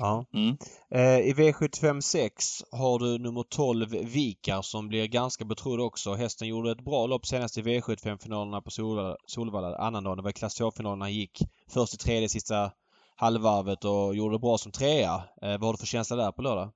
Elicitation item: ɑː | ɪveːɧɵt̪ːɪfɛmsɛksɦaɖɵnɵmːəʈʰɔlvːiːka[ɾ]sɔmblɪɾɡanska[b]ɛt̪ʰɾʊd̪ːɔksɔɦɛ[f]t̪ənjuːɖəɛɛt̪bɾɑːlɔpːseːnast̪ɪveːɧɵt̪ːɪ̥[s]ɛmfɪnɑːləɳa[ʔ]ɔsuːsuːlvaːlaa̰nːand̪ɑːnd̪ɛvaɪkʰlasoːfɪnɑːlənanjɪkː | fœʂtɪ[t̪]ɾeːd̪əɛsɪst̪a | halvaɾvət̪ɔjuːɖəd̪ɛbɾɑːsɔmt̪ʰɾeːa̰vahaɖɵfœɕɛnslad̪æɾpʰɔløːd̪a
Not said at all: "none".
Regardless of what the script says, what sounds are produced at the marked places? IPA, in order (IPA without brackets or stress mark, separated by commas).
ɾ, b, s, f, p, t̪ʰ